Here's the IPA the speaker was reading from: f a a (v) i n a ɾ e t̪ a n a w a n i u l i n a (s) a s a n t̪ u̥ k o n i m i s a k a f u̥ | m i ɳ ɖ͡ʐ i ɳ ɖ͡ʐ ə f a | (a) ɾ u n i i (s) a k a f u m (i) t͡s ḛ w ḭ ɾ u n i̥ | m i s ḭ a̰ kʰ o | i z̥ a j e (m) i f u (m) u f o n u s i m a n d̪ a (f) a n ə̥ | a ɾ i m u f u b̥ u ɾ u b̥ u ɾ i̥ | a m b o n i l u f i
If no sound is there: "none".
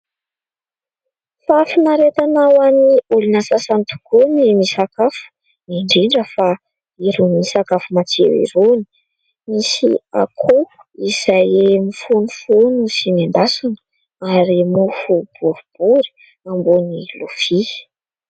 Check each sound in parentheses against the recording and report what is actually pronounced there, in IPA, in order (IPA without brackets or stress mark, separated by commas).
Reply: f, s, i, s, a, m, n, s